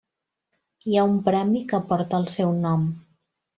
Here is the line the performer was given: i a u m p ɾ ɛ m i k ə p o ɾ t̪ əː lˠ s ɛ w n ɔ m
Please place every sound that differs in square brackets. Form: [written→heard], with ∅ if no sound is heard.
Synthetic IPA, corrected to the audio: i a u m p ɾ ɛ m i k ə p [o→ɔ] ɾ t̪ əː lˠ s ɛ w n ɔ m